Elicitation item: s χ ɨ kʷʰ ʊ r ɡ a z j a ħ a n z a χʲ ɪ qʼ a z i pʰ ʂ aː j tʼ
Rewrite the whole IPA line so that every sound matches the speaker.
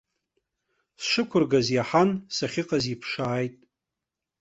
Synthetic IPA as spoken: s ʂ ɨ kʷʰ ʊ r ɡ a z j a ħ a n s a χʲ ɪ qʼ a z i pʰ ʂ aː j tʼ

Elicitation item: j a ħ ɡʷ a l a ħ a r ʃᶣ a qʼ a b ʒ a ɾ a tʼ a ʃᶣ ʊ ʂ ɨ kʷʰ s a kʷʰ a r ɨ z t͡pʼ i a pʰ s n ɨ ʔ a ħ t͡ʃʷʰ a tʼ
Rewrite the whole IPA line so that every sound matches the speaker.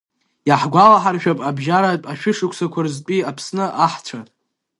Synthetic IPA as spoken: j a ħ ɡʷ a l a ħ a r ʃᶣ a pʼ a b ʒ a ɾ a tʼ a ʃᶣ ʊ ʂ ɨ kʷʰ s a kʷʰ a r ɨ z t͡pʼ i a pʰ s n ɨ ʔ a ħ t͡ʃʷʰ a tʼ

